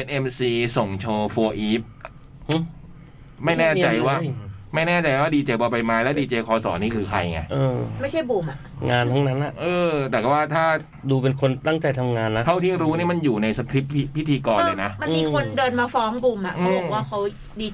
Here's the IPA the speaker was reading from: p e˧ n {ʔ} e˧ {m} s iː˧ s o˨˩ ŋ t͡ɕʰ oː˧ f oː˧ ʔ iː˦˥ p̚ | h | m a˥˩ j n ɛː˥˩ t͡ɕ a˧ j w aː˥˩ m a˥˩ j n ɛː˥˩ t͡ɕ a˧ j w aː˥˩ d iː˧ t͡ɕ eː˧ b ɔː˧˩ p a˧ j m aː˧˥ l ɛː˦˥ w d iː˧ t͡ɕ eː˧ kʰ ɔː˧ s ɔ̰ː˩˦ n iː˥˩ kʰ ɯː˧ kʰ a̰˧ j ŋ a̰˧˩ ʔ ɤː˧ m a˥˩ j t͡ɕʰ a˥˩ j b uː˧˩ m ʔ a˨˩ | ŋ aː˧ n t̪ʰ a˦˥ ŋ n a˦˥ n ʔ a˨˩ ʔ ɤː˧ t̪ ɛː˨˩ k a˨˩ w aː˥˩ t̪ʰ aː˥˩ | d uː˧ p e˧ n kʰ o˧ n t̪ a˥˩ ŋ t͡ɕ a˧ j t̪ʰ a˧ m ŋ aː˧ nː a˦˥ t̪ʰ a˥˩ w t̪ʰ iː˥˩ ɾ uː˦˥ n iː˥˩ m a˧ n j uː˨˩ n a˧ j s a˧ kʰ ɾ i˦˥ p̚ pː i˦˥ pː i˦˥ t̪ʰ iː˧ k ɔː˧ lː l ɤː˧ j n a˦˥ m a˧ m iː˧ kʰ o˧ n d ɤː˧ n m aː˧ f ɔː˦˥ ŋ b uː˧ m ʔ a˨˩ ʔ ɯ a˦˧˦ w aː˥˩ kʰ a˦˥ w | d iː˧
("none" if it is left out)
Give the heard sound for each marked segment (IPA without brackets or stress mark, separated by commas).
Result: ʔ, m